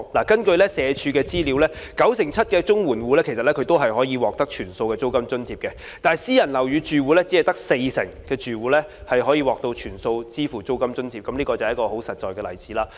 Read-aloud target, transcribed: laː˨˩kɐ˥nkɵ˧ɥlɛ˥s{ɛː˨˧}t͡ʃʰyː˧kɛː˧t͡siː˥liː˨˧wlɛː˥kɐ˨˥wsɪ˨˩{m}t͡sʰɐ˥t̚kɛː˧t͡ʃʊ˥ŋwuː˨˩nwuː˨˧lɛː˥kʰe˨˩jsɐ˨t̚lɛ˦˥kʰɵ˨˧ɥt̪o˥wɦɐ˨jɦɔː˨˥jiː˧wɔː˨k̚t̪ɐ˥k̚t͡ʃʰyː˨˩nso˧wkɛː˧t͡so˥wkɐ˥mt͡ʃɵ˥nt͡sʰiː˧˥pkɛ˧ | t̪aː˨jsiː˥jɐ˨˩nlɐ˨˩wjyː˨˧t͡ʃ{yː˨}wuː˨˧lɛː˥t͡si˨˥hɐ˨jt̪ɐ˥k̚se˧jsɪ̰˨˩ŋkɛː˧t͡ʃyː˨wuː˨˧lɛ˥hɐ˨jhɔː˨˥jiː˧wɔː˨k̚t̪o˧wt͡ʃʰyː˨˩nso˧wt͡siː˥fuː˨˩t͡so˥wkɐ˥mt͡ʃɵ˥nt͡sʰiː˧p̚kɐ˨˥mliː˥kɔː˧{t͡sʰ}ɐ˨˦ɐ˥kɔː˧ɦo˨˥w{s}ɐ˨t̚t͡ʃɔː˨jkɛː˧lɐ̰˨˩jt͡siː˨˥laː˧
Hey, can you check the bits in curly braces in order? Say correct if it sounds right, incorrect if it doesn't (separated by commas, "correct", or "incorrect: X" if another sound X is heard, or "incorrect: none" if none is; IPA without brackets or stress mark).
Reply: correct, incorrect: ŋ, correct, incorrect: t͡s, correct